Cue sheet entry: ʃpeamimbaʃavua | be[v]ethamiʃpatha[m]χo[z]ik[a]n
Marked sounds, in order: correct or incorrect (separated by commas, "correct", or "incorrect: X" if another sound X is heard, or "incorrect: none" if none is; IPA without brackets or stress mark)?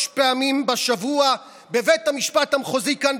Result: correct, correct, correct, correct